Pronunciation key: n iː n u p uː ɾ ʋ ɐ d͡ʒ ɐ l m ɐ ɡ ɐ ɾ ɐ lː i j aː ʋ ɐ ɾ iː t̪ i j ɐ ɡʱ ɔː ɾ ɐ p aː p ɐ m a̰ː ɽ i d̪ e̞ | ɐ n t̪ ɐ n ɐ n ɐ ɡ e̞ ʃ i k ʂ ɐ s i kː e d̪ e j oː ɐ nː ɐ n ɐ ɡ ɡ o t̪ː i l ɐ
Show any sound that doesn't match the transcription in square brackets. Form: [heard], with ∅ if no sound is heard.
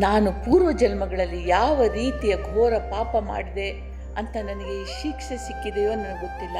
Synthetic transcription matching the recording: n [aː] n u p uː ɾ ʋ ɐ d͡ʒ ɐ l m ɐ ɡ ɐ [ɭ] ɐ lː i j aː ʋ ɐ ɾ iː t̪ i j ɐ ɡʱ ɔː ɾ ɐ p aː p ɐ m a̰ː ɽ i d̪ e̞ | ɐ n t̪ ɐ n ɐ n ɐ ɡ e̞ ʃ i k ʂ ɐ s i kː [i] d̪ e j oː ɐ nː ɐ n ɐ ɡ ɡ o t̪ː i [lː] ɐ